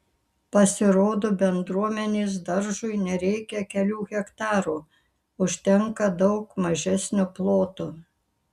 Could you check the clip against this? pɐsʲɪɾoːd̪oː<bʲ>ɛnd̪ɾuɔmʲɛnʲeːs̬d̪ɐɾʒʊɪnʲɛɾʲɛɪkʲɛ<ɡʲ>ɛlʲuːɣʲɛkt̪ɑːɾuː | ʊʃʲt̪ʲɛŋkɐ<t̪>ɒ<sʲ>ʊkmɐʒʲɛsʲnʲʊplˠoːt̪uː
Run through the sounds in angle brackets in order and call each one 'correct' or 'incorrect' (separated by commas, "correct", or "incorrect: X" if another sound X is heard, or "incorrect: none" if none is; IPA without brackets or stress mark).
correct, incorrect: kʲ, incorrect: d̪, incorrect: none